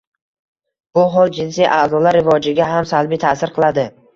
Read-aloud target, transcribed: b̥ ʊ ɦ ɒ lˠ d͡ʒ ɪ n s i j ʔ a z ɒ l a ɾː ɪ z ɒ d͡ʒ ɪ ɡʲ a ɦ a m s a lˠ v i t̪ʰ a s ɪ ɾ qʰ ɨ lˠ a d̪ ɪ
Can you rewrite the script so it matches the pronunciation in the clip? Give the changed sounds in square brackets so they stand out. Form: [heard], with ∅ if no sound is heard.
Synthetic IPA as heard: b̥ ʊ ɦ ɒ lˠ d͡ʒ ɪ n s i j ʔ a z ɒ l a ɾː ɪ [v] ɒ d͡ʒ ɪ ɡʲ a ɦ a m s a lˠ [b] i t̪ʰ a s ɪ ɾ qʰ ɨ lˠ a d̪ ɪ

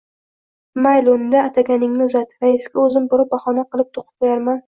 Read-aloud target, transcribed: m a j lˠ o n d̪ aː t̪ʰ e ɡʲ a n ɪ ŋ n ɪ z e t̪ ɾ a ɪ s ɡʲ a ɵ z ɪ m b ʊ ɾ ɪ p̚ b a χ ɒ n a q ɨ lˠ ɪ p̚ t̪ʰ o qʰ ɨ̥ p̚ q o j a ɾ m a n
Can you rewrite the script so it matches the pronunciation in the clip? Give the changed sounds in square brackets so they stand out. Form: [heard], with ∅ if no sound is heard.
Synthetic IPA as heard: m a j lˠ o n d̪ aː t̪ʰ [a] ɡʲ a n ɪ ŋ n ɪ z [a] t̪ ɾ a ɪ s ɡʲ a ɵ z ɪ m b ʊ ɾ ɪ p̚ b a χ ɒ n a q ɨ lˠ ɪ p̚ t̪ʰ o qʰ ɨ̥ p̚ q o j a ɾ m a n

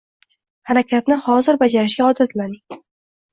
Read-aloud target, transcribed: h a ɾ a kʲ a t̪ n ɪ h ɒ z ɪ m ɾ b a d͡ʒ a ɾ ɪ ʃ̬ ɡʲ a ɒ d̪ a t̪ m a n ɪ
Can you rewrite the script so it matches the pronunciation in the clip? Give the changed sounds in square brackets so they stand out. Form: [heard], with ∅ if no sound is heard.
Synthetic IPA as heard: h a ɾ a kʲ a t̪ n ɪ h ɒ z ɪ [∅] ɾ b a d͡ʒ a ɾ ɪ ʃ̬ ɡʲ a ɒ d̪ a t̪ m a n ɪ

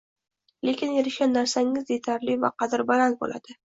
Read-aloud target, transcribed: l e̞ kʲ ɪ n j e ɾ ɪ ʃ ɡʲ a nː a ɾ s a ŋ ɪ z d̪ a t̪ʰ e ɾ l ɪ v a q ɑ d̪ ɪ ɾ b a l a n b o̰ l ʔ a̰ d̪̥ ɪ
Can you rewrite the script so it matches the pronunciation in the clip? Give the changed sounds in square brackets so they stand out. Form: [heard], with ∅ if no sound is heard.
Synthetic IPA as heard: l e̞ kʲ ɪ n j e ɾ ɪ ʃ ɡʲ a nː a ɾ s a ŋ ɪ z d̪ [e] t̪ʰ [a] ɾ l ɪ v a q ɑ d̪ ɪ ɾ b a l a n b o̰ l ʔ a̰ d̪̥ ɪ

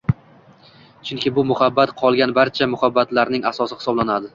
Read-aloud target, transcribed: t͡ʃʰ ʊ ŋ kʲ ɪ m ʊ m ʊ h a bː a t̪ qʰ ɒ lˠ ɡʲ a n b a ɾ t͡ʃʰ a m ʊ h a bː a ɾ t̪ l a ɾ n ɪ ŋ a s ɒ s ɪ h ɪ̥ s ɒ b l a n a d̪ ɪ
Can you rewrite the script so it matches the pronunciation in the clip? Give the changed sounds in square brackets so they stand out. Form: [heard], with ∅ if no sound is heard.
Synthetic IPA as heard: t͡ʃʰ ʊ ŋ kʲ ɪ [b] ʊ m ʊ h a bː a t̪ qʰ ɒ lˠ ɡʲ a n b a ɾ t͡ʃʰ a m ʊ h a bː a [∅] t̪ l a ɾ n ɪ ŋ a s ɒ s ɪ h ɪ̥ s ɒ b l a n a d̪ ɪ

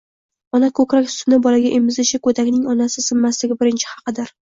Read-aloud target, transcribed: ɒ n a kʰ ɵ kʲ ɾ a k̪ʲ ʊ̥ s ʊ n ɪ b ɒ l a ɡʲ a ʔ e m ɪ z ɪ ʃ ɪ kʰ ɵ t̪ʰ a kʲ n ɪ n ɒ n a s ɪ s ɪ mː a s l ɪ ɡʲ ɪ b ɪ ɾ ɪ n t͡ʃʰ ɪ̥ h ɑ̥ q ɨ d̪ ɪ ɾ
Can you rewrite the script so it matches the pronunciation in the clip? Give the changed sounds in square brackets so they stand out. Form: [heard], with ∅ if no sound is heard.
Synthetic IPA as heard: ɒ n a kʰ ɵ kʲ ɾ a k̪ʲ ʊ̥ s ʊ n ɪ b ɒ l a ɡʲ a ʔ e m ɪ z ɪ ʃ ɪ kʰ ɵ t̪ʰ a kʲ n ɪ [ŋ] ɒ n a s ɪ s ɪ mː a s l ɪ ɡʲ ɪ b ɪ ɾ ɪ n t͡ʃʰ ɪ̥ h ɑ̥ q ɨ d̪ ɪ ɾ

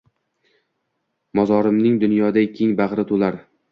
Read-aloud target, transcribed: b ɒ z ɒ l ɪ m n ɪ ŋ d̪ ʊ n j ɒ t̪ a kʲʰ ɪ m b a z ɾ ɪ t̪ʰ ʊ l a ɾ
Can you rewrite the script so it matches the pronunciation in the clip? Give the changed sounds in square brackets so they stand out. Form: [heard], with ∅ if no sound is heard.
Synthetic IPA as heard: [m] ɒ z ɒ [ɾ] ɪ m n ɪ ŋ d̪ ʊ n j ɒ [d̪] a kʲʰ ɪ [ŋ] b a [ʁ] ɾ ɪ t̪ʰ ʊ l a ɾ

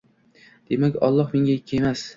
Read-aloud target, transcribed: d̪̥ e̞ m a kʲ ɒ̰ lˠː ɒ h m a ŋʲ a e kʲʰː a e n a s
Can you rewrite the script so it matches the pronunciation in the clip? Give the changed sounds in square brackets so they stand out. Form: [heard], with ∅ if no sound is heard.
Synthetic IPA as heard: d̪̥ e̞ m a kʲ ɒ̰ lˠː ɒ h m [e] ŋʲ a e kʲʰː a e [m] a s

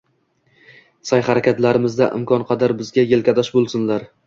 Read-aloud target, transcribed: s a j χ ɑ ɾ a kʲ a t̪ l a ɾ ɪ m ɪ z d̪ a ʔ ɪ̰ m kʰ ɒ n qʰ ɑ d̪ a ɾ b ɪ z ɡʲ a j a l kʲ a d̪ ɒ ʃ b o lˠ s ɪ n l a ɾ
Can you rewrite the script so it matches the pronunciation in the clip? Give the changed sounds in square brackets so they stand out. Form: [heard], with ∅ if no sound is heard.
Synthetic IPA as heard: s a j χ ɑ ɾ a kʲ a t̪ l a ɾ ɪ m ɪ z d̪ a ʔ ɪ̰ m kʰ ɒ n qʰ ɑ d̪ a ɾ b ɪ z ɡʲ a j [e] l kʲ a d̪ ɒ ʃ b o lˠ s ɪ n l a ɾ

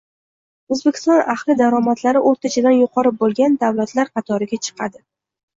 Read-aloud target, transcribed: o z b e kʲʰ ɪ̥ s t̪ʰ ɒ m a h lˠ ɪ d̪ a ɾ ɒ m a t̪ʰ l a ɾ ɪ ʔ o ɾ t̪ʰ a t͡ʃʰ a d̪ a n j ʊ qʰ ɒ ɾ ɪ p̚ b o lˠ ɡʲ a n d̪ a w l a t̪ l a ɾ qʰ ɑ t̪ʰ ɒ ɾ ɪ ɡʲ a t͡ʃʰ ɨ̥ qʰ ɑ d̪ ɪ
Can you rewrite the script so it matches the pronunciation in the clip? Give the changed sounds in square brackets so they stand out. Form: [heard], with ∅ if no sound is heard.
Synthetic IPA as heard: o z b e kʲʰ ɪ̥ s [t̪] ɒ [n] a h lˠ ɪ d̪ a ɾ ɒ m a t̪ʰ l a ɾ ɪ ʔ o ɾ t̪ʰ a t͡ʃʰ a d̪ a n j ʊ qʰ ɒ ɾ ɪ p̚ b o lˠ ɡʲ a n d̪ a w l a t̪ l a ɾ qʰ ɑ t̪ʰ ɒ ɾ ɪ ɡʲ a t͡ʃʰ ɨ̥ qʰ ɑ d̪ ɪ

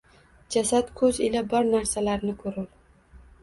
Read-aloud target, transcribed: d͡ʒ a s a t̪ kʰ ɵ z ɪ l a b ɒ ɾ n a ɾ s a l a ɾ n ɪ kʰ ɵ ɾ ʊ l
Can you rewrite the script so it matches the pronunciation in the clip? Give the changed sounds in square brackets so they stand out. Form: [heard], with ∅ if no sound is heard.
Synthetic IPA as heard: d͡ʒ a s a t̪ kʰ ɵ z ɪ l a b ɒ ɾ n a ɾ s a l a ɾ n ɪ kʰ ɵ ɾ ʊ l

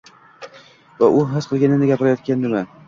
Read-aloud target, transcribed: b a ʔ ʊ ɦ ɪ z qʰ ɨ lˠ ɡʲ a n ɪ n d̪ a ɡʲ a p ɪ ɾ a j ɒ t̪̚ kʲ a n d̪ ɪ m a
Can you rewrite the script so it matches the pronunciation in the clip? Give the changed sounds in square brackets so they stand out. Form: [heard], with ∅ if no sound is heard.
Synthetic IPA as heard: [v] a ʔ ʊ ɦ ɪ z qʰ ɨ lˠ ɡʲ a n ɪ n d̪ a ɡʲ a p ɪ ɾ a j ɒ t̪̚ kʲ a n d̪ ɪ m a

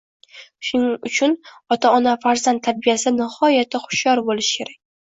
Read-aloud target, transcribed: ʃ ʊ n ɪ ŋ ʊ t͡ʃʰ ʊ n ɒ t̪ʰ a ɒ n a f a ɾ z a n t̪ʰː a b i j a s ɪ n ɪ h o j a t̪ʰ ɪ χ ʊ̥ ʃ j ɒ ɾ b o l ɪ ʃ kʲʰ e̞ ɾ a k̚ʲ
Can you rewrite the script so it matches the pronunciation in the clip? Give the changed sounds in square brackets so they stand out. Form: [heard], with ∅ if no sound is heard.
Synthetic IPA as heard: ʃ ʊ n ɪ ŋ ʊ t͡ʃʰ ʊ n ɒ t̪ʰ a ɒ n a f a ɾ z a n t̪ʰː a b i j a s ɪ n ɪ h [ɒ] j a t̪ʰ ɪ χ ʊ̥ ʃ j ɒ ɾ b o l ɪ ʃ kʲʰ e̞ ɾ a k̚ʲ

